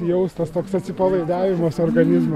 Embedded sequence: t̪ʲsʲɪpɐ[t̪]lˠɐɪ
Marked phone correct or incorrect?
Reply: incorrect